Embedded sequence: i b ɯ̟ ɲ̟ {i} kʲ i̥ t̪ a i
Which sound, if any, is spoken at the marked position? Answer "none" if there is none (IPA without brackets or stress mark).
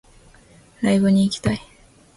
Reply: iː